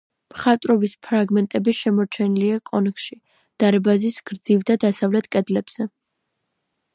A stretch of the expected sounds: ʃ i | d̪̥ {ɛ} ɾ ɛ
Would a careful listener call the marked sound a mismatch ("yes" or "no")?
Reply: yes